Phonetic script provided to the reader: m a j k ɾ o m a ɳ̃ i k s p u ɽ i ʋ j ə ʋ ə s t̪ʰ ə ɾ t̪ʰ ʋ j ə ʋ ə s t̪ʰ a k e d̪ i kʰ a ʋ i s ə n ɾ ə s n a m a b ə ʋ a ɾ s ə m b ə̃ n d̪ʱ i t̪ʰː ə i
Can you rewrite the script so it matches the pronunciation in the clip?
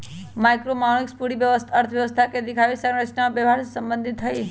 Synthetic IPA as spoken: m a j k ɾ o m a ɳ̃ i k s p u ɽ i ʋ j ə ʋ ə s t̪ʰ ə ɾ t̪ʰ ʋ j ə ʋ ə s t̪ʰ a k e d̪ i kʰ a ʋ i s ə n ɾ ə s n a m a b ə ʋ a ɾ s ə m b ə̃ n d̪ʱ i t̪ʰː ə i